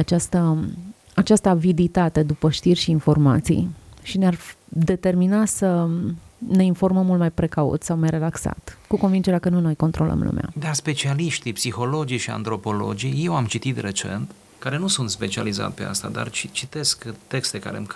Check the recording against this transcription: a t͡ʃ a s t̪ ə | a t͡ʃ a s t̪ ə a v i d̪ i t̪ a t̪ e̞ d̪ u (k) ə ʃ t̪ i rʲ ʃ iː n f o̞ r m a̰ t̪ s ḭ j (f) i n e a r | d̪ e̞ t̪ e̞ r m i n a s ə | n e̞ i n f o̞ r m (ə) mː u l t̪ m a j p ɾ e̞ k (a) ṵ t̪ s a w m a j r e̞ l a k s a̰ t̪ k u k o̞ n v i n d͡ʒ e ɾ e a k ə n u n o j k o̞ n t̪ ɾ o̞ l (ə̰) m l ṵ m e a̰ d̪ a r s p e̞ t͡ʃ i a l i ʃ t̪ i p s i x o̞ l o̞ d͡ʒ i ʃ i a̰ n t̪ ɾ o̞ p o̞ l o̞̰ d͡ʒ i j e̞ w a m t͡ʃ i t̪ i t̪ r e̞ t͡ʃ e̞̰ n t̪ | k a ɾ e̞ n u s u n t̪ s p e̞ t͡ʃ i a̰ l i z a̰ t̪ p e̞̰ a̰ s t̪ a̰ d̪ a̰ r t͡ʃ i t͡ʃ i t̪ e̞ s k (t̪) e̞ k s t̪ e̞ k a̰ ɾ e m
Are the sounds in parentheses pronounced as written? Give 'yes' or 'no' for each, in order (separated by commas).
no, no, yes, yes, yes, yes